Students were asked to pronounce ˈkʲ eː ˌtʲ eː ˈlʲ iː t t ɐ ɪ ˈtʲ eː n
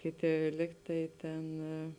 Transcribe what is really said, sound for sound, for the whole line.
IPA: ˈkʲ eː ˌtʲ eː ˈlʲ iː k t ɐ ɪ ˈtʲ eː n